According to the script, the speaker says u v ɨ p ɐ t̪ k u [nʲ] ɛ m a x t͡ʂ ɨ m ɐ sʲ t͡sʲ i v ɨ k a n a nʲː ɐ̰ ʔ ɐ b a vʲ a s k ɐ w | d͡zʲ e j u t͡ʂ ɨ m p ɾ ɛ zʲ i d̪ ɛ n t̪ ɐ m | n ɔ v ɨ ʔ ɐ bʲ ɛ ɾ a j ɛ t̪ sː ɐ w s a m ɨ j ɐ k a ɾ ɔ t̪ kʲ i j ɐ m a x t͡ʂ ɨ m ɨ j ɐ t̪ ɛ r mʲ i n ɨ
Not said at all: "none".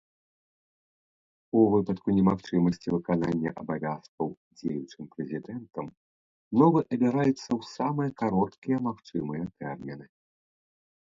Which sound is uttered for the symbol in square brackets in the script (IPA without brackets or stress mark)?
nʲ